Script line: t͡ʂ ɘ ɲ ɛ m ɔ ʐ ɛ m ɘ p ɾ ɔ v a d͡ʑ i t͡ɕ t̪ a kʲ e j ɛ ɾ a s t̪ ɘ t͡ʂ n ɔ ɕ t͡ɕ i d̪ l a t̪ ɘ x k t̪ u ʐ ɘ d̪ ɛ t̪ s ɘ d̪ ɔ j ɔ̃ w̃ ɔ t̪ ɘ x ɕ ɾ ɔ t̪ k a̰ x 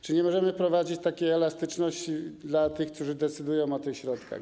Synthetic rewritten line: t͡ʂ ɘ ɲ ɛ m ɔ ʐ ɛ m ɘ p ɾ ɔ v a d͡ʑ i t͡ɕ t̪ a kʲ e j ɛ l a s t̪ ɘ t͡ʂ n ɔ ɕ t͡ɕ i d̪ l a t̪ ɘ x k t̪ u ʐ ɘ d̪ ɛ t̪ s ɘ d̪ u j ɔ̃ w̃ ɔ t̪ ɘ x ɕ ɾ ɔ t̪ k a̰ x